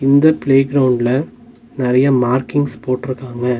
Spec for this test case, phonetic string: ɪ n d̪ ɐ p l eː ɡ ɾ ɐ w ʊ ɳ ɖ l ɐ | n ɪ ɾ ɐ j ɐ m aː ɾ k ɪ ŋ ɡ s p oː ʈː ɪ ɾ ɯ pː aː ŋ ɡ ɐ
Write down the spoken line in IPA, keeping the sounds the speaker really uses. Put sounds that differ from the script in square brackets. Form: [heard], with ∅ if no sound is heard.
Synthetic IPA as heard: ɪ n d̪ ɐ p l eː ɡ ɾ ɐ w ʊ ɳ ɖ l ɐ | n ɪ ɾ ɐ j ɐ m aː ɾ k ɪ ŋ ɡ s p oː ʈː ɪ ɾ ɯ [kː] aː ŋ ɡ ɐ